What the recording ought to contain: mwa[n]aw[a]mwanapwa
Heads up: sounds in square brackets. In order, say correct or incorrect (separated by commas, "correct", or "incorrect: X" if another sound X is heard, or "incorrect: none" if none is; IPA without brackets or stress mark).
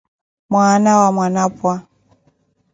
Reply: correct, correct